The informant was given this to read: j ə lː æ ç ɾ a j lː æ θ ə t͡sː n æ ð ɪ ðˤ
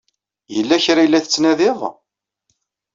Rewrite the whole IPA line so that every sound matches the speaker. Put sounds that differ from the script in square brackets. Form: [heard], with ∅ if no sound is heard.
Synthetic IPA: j ə lː æ ç ɾ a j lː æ θ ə t͡sː n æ ð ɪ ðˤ